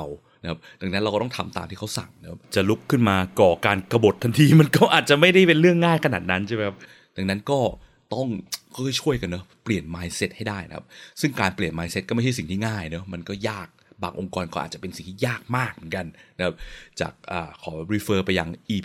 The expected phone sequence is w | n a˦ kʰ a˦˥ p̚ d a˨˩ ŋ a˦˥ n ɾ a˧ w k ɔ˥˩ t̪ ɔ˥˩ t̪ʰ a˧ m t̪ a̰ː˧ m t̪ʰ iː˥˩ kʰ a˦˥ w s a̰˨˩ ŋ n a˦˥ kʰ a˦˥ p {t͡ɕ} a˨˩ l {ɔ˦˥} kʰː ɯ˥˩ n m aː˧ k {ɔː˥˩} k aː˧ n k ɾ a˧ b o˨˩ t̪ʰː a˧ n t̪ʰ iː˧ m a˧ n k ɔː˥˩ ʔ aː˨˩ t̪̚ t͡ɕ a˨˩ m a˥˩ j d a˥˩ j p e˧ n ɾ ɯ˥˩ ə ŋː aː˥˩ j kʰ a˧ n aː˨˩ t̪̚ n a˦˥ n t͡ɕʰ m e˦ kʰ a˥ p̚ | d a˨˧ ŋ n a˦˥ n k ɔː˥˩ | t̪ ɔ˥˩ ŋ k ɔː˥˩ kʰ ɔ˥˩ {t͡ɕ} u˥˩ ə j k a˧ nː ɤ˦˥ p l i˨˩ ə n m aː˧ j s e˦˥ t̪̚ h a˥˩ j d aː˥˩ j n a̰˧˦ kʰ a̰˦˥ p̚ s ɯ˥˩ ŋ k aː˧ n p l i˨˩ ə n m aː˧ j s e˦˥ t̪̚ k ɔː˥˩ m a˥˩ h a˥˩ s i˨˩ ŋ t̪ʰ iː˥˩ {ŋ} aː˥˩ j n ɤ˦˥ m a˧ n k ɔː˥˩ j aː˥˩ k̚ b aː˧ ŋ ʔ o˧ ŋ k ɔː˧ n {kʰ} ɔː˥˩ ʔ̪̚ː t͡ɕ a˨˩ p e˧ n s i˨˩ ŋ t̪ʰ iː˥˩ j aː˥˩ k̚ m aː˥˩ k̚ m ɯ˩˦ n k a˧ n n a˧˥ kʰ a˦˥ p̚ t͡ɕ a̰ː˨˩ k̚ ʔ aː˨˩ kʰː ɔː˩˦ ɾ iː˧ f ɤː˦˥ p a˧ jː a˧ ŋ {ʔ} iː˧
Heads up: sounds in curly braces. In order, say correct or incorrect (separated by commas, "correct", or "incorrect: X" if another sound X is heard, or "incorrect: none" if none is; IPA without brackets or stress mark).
correct, incorrect: u˦˥, incorrect: ɔː˨˩, incorrect: t͡ɕʰ, correct, incorrect: k, correct